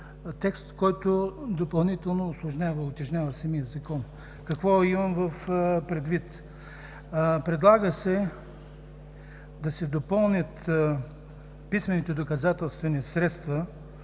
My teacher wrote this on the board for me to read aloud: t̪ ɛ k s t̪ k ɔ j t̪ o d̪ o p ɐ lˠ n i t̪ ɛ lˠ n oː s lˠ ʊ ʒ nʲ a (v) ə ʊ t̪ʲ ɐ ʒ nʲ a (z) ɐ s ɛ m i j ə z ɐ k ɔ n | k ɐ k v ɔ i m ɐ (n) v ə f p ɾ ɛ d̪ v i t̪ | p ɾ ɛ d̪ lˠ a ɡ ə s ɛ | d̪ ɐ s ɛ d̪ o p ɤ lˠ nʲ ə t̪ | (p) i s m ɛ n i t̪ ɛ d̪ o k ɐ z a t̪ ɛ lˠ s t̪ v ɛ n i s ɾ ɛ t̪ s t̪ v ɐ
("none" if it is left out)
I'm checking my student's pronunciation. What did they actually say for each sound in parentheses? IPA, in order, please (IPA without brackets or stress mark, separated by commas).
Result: v, v, m, p